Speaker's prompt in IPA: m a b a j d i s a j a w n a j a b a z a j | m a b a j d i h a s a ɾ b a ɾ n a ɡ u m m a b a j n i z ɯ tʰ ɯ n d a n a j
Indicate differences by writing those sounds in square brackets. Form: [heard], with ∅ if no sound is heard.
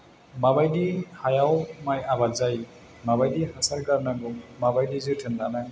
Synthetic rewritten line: m a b a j d i [h] a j a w [m] a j a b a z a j | m a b a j d i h a s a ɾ [ɡ] a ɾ n a ɡ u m m a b a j [d] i z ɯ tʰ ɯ n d a n a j